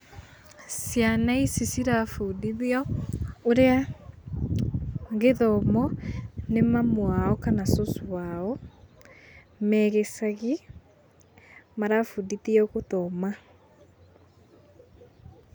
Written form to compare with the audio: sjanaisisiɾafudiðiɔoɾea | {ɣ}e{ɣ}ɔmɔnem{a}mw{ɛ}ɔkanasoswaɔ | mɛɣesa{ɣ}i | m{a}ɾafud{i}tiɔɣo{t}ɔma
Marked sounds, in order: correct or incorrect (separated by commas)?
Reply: correct, incorrect, correct, incorrect, correct, correct, correct, correct